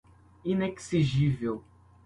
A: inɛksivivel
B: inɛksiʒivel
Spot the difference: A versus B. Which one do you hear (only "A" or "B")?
B